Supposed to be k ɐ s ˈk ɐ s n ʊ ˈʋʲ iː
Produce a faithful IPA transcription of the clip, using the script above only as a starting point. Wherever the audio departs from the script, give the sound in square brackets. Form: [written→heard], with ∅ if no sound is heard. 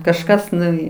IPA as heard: k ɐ [s→ʃ] ˈk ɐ s n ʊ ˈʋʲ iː

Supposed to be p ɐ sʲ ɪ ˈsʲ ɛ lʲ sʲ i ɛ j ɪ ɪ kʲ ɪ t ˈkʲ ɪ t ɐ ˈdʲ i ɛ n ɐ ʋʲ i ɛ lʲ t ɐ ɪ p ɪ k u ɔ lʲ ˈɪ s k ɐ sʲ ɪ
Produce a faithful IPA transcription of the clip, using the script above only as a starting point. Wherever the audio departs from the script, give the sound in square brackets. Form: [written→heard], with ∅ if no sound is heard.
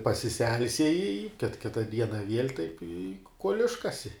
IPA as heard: p ɐ sʲ ɪ ˈsʲ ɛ lʲ sʲ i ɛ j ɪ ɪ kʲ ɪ t ˈkʲ ɪ t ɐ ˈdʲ i ɛ n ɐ ʋʲ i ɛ lʲ t ɐ ɪ p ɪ k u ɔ lʲ ˈɪ [s→ʃ] k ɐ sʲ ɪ

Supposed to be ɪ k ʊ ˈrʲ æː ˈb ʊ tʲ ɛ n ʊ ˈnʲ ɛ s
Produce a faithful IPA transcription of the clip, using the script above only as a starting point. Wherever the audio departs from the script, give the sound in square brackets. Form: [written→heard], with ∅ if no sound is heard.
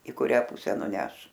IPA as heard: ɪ k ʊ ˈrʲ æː [ˈb→ˈp] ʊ [tʲ→sʲ] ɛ n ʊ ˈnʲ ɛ [s→ʃ]

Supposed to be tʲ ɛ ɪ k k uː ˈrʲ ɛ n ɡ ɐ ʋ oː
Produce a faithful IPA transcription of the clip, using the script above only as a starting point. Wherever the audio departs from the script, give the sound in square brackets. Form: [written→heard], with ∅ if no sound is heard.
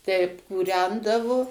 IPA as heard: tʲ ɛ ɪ [k→p] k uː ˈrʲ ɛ n [ɡ→d] ɐ ʋ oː

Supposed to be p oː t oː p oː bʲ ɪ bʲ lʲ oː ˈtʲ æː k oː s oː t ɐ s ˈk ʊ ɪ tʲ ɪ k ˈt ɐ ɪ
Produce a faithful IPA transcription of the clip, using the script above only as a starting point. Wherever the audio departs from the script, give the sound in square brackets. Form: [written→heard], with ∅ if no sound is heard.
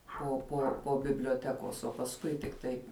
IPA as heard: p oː [t→p] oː p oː bʲ ɪ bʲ lʲ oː ˈtʲ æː k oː s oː [t→p] ɐ s ˈk ʊ ɪ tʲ ɪ k ˈt ɐ ɪ

